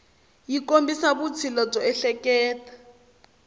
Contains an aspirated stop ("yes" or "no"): yes